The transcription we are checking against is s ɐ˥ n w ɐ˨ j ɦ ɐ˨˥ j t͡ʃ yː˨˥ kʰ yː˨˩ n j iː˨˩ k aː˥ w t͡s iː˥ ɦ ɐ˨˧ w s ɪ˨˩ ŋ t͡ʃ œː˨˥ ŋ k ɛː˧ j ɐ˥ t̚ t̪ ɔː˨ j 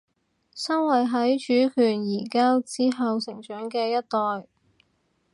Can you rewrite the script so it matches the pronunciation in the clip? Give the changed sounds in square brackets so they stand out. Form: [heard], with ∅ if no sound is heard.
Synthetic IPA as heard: s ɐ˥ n w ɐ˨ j ɦ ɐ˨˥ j t͡ʃ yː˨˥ kʰ yː˨˩ n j iː˨˩ k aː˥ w t͡s iː˥ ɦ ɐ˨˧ w s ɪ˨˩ ŋ t͡ʃ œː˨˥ ŋ k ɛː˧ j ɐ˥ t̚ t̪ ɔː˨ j